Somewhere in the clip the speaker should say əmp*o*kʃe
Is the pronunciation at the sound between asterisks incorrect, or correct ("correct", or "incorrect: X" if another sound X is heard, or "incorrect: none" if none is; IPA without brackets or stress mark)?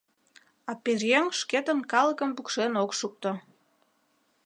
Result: incorrect: u